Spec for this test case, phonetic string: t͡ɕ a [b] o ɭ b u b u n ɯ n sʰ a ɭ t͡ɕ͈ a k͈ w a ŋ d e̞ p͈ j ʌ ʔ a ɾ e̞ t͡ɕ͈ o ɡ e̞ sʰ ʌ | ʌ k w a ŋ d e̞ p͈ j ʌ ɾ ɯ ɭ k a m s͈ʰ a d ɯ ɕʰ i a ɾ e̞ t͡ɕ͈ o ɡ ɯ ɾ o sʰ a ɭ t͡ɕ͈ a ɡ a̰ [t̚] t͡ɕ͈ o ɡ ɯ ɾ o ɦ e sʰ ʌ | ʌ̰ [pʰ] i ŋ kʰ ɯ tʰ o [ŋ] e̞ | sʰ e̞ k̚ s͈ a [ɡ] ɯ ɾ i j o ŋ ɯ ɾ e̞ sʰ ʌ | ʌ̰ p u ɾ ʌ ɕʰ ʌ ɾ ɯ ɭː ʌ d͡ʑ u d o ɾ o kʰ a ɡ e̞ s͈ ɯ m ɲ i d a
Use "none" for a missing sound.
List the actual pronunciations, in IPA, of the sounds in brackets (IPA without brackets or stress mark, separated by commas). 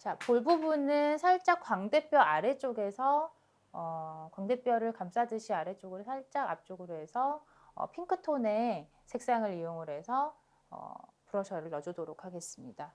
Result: p, p̚, pʰ, n, ŋ